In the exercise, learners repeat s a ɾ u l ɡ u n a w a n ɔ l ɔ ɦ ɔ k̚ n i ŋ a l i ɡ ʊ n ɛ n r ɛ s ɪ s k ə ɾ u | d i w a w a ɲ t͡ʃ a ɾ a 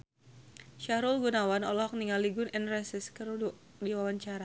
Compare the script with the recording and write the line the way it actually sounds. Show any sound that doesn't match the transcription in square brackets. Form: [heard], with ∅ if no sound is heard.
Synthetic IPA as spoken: [ʃ] a ɾ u l ɡ u n a w a n ɔ l ɔ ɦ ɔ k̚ n i ŋ a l i ɡ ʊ n ɛ n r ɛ s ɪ s k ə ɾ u | d i w a w a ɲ t͡ʃ a ɾ a